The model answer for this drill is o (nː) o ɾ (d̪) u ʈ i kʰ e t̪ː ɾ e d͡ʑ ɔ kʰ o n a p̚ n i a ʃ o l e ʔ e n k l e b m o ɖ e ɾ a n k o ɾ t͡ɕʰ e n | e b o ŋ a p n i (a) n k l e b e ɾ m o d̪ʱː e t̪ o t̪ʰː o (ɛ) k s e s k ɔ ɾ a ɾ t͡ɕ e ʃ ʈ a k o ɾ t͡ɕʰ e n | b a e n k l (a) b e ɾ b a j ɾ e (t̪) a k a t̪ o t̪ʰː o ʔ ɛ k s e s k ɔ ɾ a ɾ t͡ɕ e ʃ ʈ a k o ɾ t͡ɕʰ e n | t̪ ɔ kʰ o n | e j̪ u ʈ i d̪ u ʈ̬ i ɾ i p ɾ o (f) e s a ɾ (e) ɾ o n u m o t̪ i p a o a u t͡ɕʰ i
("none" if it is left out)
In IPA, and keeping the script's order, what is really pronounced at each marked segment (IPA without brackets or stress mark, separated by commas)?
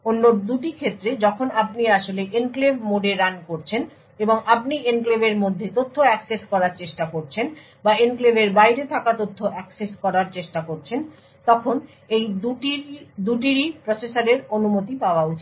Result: nː, d̪, e, ɛ, e, t̪ʰ, s, e